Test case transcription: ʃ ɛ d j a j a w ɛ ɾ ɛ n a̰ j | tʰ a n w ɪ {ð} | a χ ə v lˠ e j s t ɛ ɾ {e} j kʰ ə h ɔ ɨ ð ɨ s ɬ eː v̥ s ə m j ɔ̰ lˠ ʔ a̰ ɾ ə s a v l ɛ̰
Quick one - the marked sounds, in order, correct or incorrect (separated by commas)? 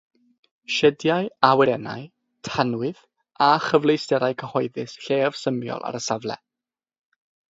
correct, incorrect